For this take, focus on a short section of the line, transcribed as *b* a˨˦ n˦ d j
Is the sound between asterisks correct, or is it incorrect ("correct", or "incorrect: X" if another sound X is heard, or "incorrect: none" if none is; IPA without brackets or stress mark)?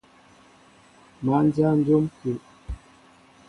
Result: incorrect: m